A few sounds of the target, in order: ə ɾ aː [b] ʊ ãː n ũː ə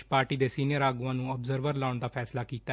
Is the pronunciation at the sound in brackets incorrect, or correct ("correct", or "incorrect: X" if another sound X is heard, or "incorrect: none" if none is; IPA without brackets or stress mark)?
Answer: incorrect: ɡ